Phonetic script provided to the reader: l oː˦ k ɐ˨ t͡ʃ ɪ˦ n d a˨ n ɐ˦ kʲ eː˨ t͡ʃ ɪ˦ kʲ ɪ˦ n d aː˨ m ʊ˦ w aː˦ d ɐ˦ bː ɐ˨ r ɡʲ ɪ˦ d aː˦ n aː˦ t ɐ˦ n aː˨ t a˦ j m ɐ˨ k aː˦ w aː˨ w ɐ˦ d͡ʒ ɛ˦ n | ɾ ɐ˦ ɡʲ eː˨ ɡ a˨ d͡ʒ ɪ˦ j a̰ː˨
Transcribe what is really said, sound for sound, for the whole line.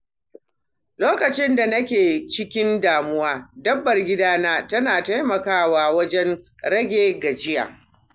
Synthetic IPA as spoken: l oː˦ k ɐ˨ t͡ʃ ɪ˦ n d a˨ n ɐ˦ kʲ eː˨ t͡ʃ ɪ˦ kʲ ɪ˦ n d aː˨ m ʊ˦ w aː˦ d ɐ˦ bː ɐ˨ r ɡʲ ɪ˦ d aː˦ n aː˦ t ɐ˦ n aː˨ t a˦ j m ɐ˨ k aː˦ w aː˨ w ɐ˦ d͡ʒ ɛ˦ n | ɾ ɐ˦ ɡʲ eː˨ ɡ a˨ d͡ʒ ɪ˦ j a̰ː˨

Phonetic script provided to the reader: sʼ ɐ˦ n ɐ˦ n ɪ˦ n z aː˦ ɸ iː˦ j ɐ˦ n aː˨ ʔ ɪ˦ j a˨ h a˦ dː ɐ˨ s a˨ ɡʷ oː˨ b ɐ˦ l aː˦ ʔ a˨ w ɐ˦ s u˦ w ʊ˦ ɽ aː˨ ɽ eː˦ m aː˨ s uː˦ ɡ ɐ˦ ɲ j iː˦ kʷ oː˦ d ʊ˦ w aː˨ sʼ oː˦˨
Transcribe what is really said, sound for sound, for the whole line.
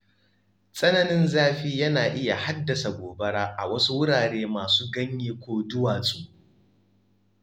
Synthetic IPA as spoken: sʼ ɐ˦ n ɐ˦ n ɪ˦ n z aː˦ ɸ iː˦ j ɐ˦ n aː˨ ʔ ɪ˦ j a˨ h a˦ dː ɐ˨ s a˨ ɡʷ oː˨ b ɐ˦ ɽ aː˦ ʔ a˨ w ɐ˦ s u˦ w ʊ˦ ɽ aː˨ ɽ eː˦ m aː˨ s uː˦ ɡ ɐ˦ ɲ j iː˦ kʷ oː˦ d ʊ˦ w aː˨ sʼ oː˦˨

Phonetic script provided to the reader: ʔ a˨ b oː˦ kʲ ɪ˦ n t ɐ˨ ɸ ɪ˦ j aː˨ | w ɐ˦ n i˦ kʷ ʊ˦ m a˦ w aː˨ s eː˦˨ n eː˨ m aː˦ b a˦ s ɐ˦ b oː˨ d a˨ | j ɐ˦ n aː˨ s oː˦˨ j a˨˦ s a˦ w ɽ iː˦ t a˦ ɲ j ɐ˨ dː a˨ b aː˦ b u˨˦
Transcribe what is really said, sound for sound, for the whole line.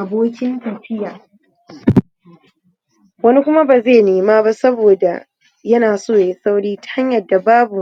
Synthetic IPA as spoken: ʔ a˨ b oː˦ kʲ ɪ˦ n t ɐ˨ ɸ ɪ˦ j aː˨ | w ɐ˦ n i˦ kʷ ʊ˦ m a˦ b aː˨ z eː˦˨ n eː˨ m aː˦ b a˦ s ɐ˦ b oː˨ d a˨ | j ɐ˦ n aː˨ s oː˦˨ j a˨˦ s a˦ w ɽ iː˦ t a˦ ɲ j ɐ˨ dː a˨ b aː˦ b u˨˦

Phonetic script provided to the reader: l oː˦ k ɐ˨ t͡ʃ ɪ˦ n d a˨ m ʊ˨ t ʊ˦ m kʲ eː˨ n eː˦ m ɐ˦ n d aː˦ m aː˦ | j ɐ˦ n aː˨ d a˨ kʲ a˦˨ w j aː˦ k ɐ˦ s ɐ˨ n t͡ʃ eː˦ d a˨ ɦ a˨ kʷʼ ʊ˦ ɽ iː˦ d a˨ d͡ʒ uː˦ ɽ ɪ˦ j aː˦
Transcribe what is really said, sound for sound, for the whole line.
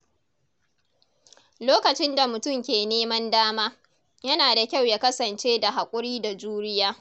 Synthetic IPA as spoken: l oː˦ k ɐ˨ t͡ʃ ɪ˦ n d a˨ m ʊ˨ t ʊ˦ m kʲ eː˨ n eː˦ m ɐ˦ n d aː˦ m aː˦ | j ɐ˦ n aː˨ d a˨ kʲ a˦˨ w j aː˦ k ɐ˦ s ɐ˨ n t͡ʃ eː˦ d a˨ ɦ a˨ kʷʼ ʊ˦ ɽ iː˦ d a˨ d͡ʒ uː˦ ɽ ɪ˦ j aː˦

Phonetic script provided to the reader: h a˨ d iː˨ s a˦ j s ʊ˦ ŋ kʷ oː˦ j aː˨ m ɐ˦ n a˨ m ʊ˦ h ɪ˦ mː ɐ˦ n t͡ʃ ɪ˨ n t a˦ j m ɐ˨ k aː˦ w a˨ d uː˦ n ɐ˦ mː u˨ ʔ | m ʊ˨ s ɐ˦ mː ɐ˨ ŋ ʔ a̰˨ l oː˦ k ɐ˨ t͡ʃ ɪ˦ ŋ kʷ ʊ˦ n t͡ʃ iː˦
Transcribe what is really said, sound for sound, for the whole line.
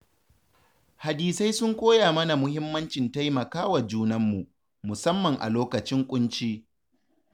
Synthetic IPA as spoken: h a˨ d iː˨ s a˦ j s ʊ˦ ŋ kʷ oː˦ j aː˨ m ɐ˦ n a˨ m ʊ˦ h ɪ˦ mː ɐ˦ n t͡ʃ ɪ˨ n t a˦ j m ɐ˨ k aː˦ w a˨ d͡ʒ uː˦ n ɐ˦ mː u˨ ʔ | m ʊ˨ s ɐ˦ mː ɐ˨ ŋ ʔ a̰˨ l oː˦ k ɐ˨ t͡ʃ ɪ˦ ŋ kʷʼ ʊ˦ n t͡ʃ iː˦

